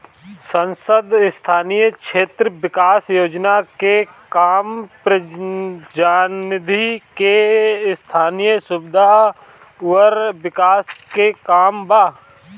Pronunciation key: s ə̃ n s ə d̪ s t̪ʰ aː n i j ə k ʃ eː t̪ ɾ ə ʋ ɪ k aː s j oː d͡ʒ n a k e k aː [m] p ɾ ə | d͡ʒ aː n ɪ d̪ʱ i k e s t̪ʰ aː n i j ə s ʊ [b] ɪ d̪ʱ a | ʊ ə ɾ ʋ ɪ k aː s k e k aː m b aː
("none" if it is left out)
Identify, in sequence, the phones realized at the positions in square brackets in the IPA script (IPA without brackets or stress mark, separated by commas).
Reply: m, b